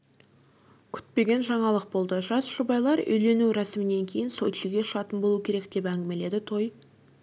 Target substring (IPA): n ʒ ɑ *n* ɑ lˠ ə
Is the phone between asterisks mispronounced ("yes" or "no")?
yes